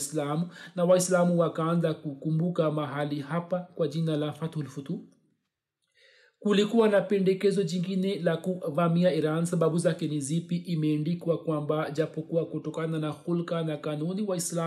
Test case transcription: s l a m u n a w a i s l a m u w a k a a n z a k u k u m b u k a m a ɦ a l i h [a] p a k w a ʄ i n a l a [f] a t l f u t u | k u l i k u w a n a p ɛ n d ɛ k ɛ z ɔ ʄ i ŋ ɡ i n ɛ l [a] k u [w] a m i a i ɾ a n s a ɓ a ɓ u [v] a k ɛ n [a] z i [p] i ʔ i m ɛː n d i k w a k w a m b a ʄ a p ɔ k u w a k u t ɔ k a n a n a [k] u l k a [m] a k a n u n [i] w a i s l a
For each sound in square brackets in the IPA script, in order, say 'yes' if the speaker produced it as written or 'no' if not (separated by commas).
yes, yes, yes, no, no, no, yes, no, no, yes